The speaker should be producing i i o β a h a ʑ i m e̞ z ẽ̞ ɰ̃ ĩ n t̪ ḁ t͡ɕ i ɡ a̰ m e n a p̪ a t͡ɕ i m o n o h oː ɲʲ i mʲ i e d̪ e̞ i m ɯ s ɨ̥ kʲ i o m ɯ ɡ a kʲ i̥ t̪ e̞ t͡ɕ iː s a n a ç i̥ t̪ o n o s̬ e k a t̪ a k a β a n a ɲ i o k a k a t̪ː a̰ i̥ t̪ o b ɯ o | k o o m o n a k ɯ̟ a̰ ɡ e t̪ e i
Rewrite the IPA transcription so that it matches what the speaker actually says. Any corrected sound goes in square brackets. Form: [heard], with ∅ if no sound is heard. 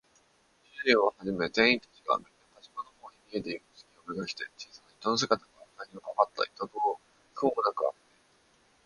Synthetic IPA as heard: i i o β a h a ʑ i m e̞ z ẽ̞ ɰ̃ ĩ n t̪ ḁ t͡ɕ i ɡ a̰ m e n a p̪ a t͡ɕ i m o n o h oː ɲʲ i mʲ i e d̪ e̞ i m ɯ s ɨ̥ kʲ i o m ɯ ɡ a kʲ i̥ t̪ e̞ t͡ɕ iː s a n a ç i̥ t̪ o n o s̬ e k a t̪ a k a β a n a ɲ i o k a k a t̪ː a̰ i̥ t̪ o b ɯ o | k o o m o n a k ɯ̟ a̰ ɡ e t̪ e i